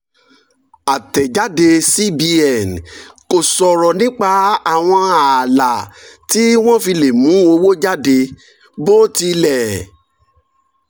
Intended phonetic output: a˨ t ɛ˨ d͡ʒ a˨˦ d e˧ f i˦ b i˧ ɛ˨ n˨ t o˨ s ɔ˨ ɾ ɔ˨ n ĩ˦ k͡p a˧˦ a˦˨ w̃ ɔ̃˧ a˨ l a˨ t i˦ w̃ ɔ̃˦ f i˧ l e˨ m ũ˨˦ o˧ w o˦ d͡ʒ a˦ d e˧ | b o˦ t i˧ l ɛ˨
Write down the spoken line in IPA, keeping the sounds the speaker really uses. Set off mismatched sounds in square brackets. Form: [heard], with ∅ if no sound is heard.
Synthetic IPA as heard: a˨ t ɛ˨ d͡ʒ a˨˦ d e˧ [s] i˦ b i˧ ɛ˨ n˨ [k] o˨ s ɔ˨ ɾ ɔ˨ n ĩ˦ k͡p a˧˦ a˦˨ w̃ ɔ̃˧ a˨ l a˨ t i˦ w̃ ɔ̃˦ f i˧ l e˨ m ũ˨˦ o˧ w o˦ d͡ʒ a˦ d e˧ | b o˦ t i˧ l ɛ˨